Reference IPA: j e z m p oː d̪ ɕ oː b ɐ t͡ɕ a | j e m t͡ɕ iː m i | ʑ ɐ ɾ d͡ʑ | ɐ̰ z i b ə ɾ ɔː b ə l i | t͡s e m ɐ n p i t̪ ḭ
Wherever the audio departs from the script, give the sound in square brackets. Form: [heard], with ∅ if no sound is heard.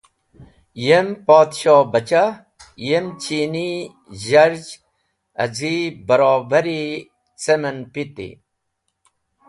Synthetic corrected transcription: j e [∅] m p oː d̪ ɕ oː b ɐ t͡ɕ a | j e m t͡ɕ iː [n] i | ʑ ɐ ɾ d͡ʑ | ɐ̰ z i b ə ɾ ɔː b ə [ɾ] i | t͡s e m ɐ n p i t̪ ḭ